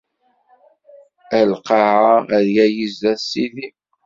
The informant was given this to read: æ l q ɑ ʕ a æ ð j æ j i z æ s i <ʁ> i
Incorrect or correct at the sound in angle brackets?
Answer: incorrect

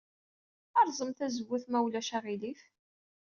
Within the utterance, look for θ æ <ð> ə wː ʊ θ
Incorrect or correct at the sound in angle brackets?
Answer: incorrect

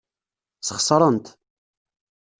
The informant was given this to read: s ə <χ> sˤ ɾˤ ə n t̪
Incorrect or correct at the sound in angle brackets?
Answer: correct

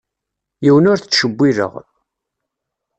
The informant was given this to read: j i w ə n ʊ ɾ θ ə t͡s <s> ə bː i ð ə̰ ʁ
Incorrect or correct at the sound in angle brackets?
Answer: incorrect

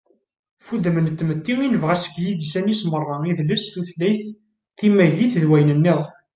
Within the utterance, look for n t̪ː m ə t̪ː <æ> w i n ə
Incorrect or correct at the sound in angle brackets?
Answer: incorrect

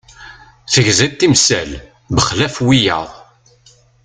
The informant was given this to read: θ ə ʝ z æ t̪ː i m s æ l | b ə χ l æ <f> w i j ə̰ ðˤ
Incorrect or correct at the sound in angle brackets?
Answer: correct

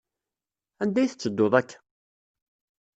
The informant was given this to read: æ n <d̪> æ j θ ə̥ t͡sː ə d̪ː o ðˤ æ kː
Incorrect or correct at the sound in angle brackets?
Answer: correct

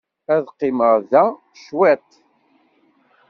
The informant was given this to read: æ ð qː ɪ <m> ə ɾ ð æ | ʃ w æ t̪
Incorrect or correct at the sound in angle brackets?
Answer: correct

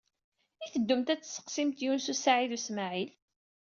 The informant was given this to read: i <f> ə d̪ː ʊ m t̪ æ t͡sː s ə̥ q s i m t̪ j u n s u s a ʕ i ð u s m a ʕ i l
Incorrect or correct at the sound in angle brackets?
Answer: incorrect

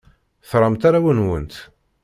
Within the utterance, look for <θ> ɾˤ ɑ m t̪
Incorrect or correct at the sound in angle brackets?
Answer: correct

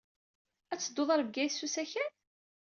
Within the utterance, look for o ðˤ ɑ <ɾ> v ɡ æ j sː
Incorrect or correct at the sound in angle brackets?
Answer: correct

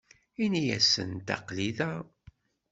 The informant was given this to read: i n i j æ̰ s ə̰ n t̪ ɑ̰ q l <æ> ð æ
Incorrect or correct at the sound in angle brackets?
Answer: incorrect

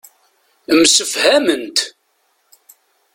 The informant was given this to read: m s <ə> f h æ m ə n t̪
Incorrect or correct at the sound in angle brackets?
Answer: correct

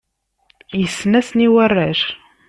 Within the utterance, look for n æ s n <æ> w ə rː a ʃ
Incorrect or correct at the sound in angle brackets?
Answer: incorrect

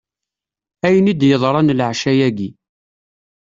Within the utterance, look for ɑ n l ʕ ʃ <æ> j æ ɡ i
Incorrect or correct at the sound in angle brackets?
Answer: correct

